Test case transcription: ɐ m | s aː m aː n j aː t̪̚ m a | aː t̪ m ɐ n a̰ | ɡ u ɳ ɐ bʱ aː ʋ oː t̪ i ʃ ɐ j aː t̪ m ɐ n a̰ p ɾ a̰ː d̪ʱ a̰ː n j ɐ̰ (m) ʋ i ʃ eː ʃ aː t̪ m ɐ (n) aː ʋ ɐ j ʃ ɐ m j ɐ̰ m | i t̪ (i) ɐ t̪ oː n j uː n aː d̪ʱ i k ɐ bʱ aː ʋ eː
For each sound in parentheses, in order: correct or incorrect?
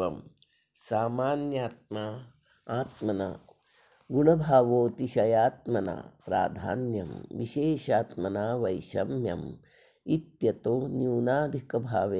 correct, correct, incorrect: j

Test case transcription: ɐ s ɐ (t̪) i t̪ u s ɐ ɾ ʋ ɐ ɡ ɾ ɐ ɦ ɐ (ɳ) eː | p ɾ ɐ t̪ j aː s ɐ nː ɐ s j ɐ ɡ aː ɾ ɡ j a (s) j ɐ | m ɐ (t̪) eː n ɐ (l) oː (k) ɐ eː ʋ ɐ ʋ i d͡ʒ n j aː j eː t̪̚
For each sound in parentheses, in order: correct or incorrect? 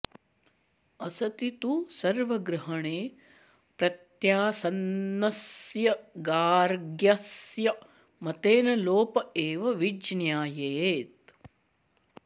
correct, correct, correct, correct, correct, incorrect: p

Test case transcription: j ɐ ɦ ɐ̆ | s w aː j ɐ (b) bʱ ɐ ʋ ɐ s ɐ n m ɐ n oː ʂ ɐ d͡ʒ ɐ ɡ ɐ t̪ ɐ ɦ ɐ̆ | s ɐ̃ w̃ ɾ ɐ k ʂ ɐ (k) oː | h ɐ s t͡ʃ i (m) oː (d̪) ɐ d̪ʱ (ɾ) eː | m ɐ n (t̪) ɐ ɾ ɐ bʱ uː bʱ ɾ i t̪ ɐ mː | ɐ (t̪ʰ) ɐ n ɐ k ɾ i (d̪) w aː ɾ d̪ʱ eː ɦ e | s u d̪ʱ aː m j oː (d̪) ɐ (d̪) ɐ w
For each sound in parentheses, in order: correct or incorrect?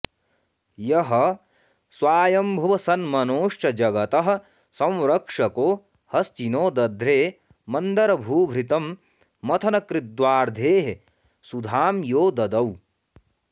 incorrect: m, correct, incorrect: n, correct, correct, incorrect: d̪, correct, correct, correct, correct

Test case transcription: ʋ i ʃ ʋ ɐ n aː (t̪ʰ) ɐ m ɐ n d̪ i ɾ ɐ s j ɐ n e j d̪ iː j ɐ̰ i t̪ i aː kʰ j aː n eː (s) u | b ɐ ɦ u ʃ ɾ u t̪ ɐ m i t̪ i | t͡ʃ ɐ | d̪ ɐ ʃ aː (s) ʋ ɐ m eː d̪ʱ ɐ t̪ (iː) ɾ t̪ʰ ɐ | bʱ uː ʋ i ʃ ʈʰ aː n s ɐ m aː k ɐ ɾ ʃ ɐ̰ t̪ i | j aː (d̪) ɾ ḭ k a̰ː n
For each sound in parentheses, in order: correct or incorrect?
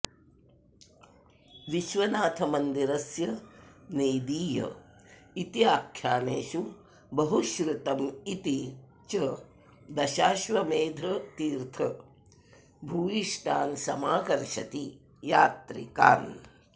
correct, incorrect: ʃ, incorrect: ʃ, correct, incorrect: t̪

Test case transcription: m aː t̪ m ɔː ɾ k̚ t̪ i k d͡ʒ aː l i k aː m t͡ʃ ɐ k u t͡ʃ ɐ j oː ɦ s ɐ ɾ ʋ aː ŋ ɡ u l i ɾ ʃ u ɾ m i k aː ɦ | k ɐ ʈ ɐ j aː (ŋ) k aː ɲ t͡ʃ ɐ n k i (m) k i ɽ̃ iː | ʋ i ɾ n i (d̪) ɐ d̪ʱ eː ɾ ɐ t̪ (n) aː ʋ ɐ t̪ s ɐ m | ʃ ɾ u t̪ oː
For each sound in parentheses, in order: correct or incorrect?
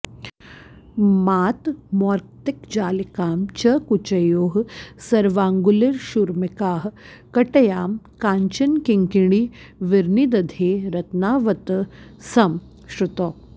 incorrect: m, incorrect: ŋ, correct, correct

